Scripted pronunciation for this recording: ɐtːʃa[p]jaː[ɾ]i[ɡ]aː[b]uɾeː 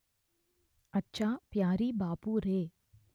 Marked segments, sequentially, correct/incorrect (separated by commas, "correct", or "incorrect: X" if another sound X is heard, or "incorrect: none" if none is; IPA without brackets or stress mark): correct, correct, incorrect: b, incorrect: p